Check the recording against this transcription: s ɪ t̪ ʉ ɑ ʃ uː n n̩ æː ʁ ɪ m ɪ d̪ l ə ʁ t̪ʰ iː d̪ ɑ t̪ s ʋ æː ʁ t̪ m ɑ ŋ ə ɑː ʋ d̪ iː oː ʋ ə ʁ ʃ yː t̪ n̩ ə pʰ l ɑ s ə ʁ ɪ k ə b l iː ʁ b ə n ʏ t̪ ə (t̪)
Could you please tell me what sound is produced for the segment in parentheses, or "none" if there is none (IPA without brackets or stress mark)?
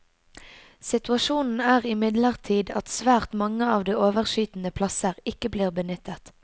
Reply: t̪